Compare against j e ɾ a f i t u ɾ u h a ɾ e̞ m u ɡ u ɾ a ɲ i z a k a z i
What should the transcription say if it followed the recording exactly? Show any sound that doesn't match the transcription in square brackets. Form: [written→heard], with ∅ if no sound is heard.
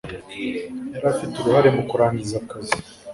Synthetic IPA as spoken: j [e→a] ɾ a f i t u ɾ u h a ɾ e̞ m u [ɡ→k] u ɾ a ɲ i z a k a z i

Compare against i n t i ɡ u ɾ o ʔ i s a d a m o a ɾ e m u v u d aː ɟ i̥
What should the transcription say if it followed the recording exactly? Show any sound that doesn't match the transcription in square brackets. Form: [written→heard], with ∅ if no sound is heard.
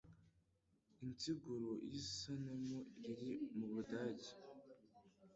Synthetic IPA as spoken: i n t i ɡ u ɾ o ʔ i s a [d→n] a m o [a→i] ɾ [e→i] m u [v→β] u d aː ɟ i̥

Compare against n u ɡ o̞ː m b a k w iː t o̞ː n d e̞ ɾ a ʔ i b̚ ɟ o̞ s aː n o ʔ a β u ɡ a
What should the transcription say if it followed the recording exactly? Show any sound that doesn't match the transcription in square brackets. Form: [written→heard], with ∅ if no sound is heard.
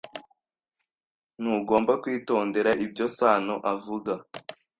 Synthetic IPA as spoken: n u ɡ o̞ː m b a k w iː t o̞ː n d e̞ ɾ a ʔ i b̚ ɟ o̞ s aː n o ʔ a [β→v] u ɡ a

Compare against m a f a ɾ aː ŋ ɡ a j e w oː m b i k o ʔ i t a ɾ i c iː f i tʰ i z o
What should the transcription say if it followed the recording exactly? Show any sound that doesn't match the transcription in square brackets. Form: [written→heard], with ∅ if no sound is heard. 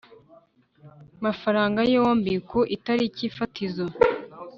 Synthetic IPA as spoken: m a f a ɾ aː ŋ ɡ a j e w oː m b i k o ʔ i t a ɾ i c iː f [i→a] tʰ i z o

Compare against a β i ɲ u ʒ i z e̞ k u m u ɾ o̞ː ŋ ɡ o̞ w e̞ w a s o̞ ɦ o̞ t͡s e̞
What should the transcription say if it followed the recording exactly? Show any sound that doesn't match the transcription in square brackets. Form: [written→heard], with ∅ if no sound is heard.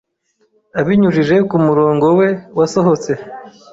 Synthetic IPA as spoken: a β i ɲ u ʒ i [z→ʒ] e̞ k u m u ɾ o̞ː ŋ ɡ o̞ w e̞ w a s o̞ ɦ o̞ t͡s e̞

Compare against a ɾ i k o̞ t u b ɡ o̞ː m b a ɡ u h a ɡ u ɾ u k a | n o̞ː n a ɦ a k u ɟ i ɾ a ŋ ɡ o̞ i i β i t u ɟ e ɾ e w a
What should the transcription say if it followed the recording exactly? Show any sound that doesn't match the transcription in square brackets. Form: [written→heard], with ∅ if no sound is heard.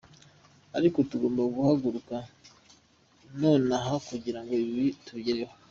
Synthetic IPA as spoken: a ɾ i k o̞ t u [b→∅] ɡ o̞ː m b a ɡ u h a ɡ u ɾ u k a | n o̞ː n a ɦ a k u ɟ i ɾ a ŋ ɡ o̞ i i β i t u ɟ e ɾ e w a

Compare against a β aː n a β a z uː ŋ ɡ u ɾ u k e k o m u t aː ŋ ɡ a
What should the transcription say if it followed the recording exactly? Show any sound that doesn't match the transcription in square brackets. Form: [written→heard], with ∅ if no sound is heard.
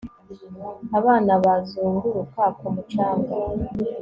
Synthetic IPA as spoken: a β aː n a β a z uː ŋ ɡ u ɾ u k [e→a] k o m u [t→t͡ʃ] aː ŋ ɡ a

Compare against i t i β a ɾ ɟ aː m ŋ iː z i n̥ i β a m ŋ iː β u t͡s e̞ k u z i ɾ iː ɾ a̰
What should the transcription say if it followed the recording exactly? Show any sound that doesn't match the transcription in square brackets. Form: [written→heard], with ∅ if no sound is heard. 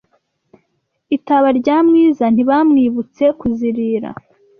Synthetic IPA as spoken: i t [i→a] β a ɾ ɟ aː m ŋ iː z [i→a] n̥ i β a m ŋ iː β u t͡s e̞ k u z i ɾ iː ɾ a̰

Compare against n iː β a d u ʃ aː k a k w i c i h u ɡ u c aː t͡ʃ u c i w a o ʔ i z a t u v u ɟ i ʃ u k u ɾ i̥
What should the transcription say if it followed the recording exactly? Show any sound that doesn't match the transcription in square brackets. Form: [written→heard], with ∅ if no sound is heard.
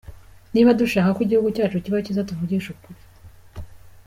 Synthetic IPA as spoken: n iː β a d u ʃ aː k a k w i [c→ɟ] i h u ɡ u c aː t͡ʃ u c i [w→β] a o [ʔ→c] i z a t u v u ɟ i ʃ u k u ɾ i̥

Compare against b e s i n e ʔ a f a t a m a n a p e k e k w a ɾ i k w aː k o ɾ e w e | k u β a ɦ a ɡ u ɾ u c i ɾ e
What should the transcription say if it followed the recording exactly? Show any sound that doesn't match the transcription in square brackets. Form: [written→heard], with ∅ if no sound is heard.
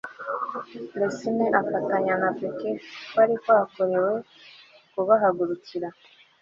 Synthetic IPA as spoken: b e s i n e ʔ a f a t a [m→ɲ] a n a p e k e k w a ɾ i k w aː k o ɾ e w e | k u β a ɦ a ɡ u ɾ u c i ɾ [e→a]

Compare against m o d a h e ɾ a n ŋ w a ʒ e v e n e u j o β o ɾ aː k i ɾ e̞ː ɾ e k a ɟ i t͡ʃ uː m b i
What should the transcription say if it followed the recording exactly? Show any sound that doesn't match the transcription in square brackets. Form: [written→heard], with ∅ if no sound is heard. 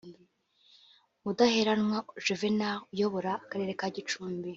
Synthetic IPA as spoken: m [o→u] d a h e ɾ a n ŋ w a ʒ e v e n [e→a] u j o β o ɾ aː k [i→a] ɾ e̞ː ɾ e k a ɟ i t͡ʃ uː m b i

